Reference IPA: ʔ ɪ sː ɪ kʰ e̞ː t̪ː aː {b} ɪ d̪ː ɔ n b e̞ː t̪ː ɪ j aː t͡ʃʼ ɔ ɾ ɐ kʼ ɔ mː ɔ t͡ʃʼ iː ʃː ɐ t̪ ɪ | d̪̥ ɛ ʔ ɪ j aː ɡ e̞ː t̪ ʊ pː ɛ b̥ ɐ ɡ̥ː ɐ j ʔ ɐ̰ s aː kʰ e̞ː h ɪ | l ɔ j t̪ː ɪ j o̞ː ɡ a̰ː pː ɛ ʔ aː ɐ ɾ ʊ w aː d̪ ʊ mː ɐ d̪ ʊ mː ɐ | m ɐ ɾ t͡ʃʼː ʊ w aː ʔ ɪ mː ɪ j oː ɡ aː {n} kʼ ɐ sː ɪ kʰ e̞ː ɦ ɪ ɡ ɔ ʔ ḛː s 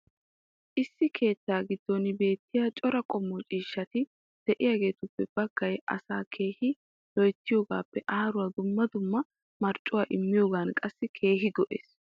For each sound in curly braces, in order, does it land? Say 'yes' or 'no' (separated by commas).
no, yes